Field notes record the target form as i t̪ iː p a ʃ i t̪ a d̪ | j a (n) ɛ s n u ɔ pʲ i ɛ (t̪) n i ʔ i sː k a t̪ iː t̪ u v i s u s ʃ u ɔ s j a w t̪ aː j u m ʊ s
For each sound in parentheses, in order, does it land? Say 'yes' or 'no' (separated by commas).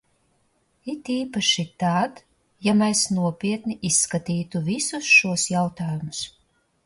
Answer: no, yes